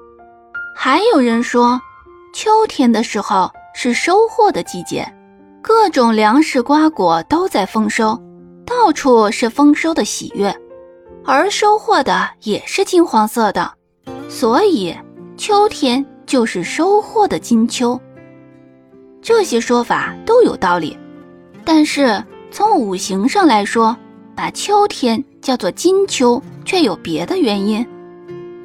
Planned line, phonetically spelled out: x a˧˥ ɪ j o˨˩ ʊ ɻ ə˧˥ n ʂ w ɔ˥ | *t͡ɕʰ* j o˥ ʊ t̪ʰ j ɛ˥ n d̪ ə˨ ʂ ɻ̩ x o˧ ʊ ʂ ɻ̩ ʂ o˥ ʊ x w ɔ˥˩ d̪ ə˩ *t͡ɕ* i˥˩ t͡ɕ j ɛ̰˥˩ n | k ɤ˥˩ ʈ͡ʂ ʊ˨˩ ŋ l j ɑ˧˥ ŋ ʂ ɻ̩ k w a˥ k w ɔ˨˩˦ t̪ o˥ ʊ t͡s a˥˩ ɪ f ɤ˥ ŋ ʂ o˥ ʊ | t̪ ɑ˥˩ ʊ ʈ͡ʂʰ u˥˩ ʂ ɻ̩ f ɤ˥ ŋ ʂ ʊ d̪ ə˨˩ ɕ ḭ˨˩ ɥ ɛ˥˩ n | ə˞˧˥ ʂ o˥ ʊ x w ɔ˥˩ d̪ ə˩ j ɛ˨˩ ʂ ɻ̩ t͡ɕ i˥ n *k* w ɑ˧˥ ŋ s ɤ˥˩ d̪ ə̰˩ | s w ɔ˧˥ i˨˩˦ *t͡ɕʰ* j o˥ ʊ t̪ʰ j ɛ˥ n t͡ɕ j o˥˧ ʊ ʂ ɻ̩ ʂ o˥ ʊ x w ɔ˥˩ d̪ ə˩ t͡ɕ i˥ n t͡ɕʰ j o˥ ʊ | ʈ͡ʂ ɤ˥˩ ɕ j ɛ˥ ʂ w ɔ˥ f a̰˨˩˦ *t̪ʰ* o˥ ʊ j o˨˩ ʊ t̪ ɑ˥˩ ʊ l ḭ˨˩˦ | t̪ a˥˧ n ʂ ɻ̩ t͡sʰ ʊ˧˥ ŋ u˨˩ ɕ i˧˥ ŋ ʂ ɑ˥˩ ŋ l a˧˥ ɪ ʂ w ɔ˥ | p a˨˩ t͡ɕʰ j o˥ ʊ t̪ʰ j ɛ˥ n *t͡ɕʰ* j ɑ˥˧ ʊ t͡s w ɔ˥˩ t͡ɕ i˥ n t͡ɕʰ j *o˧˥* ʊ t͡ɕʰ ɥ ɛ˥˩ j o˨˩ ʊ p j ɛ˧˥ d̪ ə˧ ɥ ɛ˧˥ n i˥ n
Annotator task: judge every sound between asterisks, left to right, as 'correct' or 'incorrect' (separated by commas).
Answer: correct, correct, incorrect, correct, incorrect, incorrect, incorrect